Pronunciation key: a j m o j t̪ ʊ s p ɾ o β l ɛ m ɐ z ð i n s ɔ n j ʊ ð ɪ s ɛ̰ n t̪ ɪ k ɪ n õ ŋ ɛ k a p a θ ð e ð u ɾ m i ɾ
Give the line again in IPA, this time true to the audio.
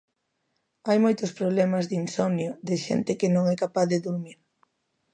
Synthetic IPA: a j m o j t̪ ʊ s p ɾ o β l ɛ m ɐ z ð i n s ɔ n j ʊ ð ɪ ʃ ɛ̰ n t̪ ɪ k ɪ n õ ŋ ɛ k a p a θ ð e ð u ɾ m i ɾ